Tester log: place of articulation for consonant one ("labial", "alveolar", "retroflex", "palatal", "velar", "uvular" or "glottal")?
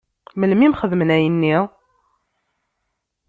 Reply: labial